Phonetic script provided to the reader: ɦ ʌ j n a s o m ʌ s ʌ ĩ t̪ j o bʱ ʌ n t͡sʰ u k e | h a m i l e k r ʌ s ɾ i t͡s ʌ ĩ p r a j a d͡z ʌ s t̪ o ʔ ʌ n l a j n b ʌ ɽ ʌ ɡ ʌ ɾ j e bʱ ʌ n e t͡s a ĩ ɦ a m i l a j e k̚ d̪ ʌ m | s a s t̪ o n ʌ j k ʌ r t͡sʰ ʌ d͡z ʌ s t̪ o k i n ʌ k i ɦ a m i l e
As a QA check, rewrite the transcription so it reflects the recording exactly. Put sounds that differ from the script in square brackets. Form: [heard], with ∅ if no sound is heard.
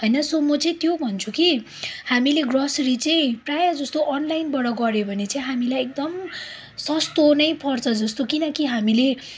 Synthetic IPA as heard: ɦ ʌ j n [ʌ] s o m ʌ [t͡s] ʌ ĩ t̪ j o bʱ ʌ n t͡sʰ u k [i] | h a m i l e [ɡ] r ʌ s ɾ i t͡s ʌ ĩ p r a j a d͡z ʌ s t̪ o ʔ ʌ n l a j n b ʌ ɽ ʌ ɡ ʌ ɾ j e bʱ ʌ n e t͡s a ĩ ɦ a m i l a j e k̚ d̪ ʌ m | s [ʌ] s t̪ o n ʌ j [p] ʌ r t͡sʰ ʌ d͡z ʌ s t̪ o k i n ʌ k i ɦ a m i l e